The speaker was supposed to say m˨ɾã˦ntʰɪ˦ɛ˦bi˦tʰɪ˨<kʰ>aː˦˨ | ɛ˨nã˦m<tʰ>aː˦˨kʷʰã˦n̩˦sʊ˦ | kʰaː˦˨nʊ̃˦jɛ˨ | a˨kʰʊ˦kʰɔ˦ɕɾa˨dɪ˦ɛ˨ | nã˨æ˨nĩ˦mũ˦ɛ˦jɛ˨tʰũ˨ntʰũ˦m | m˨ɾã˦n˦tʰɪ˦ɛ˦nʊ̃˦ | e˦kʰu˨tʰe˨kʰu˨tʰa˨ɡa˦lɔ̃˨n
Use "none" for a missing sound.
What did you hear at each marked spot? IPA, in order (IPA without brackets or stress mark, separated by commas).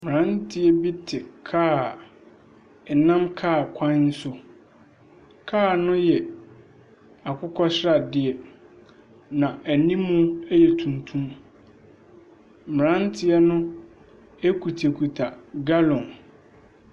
kʰ, kʰ